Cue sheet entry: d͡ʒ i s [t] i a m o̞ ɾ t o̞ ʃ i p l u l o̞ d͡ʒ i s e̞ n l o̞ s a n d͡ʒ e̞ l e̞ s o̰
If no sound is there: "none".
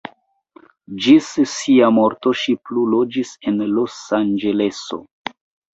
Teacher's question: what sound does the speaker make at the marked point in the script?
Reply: s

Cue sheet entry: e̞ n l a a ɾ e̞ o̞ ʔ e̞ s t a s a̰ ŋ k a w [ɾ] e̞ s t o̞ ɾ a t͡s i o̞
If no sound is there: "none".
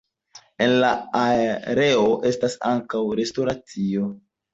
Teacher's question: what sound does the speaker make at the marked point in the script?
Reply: ɾ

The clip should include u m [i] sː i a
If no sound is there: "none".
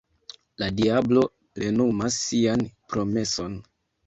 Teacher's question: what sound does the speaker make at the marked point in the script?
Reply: a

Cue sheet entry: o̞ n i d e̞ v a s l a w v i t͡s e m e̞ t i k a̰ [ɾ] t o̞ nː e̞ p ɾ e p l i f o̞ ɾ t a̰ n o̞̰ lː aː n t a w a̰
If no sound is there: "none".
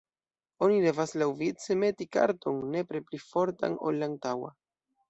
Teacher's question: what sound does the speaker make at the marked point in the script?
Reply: ɾ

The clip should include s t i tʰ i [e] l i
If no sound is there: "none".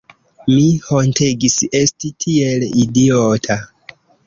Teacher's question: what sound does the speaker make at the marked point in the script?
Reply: e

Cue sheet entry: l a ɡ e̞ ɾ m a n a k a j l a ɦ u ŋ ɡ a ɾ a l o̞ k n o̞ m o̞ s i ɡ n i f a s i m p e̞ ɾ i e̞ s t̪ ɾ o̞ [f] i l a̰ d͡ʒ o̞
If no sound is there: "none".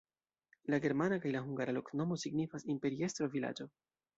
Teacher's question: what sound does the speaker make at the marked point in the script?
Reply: v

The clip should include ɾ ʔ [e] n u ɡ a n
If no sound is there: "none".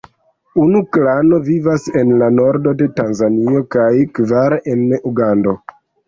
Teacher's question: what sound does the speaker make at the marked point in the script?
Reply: e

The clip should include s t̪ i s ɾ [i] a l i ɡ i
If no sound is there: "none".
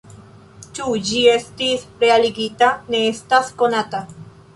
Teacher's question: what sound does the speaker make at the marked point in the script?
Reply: e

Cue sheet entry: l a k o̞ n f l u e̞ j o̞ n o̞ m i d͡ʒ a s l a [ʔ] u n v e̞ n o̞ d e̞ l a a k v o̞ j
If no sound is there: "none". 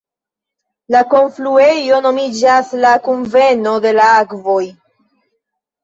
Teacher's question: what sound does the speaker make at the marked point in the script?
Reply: k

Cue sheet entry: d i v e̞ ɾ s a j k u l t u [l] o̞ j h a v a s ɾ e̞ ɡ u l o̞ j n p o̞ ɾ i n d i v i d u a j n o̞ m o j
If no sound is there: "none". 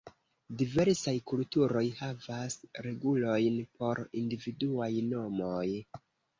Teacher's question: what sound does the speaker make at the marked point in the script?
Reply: ɾ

